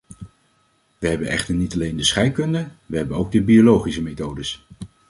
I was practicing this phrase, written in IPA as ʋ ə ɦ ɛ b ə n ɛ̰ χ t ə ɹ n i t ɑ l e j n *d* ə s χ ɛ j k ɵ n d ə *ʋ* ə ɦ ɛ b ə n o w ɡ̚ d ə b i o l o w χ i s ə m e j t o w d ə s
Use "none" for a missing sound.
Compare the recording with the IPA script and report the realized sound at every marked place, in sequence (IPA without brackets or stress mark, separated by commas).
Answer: d, ʋ